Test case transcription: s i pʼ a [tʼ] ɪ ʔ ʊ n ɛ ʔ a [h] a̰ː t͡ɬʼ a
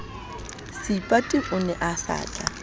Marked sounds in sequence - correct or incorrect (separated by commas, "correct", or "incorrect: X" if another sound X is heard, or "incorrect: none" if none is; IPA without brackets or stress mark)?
correct, incorrect: s